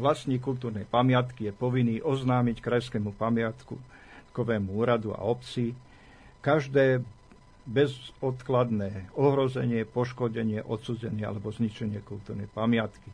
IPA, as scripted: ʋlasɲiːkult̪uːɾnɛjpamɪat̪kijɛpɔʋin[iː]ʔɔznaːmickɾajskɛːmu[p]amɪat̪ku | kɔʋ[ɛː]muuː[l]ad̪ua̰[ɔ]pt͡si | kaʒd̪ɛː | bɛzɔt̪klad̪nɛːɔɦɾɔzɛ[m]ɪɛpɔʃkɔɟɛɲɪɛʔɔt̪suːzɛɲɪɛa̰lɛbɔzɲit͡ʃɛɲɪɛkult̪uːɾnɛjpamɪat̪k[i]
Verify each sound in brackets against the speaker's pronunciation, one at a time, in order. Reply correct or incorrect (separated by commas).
correct, correct, correct, incorrect, correct, incorrect, correct